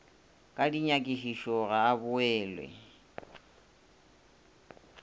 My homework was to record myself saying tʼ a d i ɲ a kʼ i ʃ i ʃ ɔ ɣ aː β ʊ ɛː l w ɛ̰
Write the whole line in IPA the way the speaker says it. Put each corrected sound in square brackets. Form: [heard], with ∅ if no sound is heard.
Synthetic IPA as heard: [kʼ] a d i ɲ a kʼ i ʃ i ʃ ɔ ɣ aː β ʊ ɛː l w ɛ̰